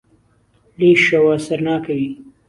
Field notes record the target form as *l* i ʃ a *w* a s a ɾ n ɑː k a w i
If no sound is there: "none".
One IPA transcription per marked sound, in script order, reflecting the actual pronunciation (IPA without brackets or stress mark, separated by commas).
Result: l, w